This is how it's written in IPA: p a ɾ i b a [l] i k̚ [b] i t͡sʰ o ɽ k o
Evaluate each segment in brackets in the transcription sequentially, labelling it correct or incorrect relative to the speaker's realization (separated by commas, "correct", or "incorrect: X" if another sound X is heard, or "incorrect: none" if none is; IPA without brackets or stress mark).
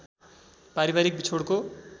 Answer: incorrect: ɾ, correct